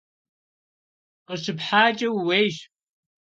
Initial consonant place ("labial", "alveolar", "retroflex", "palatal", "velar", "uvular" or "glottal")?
uvular